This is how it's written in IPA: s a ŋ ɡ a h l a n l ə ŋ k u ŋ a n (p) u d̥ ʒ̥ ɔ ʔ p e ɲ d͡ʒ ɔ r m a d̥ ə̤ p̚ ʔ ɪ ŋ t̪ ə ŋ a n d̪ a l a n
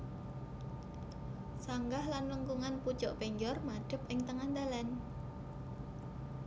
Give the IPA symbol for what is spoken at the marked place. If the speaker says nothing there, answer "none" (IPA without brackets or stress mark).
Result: p